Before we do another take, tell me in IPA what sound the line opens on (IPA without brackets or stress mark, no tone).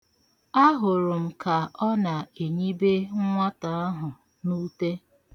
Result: a